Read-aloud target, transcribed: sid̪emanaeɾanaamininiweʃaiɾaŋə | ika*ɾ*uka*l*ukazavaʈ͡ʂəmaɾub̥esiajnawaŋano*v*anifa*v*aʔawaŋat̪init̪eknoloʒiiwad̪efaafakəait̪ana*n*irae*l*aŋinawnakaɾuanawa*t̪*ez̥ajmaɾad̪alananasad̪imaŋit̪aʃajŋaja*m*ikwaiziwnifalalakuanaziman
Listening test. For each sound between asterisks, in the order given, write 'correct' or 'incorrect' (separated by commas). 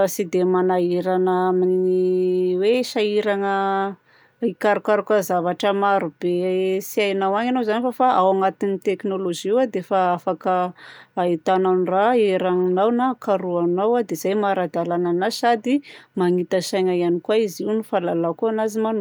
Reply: correct, incorrect, incorrect, incorrect, correct, incorrect, incorrect, incorrect